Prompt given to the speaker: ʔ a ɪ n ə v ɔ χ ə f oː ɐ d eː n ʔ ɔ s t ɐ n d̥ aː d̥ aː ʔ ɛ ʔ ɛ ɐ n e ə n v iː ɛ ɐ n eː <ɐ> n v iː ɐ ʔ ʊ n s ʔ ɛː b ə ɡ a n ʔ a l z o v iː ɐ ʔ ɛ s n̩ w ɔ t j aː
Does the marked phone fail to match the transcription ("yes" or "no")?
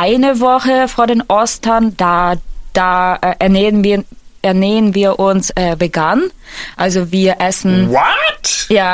yes